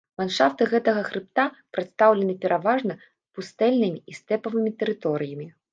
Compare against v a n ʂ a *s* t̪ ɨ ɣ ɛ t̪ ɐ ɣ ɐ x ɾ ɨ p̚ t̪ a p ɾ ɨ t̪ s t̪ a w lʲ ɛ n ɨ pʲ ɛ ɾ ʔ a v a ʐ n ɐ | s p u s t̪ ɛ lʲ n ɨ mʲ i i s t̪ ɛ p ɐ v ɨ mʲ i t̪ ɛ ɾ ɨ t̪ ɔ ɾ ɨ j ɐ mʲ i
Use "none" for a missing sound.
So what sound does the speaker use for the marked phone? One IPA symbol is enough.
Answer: f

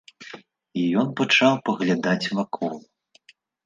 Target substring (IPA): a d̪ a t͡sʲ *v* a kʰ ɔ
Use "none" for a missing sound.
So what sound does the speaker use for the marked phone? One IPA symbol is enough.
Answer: v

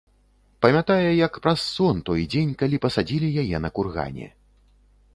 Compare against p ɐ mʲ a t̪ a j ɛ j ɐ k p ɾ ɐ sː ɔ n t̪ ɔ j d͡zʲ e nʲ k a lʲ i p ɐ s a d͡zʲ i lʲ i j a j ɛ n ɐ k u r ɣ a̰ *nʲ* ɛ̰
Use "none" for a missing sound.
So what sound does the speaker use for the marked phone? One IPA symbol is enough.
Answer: nʲ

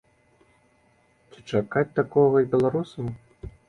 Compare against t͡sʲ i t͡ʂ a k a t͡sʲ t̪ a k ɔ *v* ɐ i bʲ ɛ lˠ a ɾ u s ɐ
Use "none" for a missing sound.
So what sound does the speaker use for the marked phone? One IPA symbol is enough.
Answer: ɣ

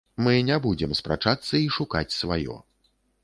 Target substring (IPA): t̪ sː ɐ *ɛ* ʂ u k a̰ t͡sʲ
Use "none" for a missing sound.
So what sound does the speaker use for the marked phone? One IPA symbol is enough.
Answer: i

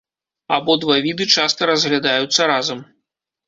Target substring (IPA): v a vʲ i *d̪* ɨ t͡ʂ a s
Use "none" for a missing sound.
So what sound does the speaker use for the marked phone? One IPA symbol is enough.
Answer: d̪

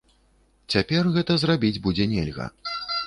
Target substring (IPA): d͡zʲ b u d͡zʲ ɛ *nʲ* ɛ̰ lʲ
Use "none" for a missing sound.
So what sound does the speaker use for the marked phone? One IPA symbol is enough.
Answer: nʲ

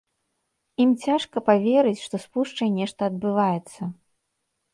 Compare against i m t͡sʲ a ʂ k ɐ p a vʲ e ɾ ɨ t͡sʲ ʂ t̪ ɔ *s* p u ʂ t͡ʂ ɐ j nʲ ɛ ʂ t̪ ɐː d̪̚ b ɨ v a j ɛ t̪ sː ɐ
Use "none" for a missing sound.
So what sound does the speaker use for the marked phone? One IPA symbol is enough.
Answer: s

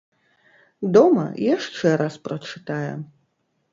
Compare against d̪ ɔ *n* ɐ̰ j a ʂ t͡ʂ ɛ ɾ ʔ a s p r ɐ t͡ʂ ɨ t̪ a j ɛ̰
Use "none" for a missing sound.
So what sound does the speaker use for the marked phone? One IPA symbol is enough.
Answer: m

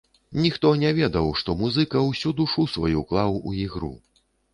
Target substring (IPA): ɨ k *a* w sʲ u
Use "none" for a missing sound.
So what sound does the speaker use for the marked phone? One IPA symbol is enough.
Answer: ɐ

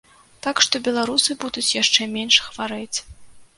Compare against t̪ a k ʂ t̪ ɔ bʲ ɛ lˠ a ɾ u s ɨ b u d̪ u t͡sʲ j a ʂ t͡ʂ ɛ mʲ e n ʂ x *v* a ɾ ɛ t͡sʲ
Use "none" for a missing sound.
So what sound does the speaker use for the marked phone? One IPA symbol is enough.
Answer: v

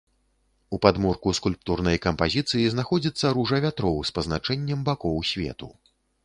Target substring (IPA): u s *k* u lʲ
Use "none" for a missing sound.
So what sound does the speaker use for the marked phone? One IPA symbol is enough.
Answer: k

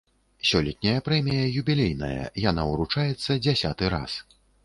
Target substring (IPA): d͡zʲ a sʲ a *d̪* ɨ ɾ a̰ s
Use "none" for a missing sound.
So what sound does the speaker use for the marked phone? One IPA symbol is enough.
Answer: t̪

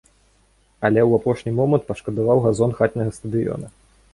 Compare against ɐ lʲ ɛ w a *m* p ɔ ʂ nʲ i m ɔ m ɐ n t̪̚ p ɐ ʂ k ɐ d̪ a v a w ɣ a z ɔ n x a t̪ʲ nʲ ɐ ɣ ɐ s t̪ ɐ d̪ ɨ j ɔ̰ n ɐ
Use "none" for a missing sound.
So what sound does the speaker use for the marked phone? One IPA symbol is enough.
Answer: none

